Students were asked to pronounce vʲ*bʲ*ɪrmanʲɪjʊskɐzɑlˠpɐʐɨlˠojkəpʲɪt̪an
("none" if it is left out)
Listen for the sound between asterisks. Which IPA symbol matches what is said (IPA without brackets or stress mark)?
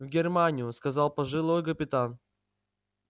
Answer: ɡʲ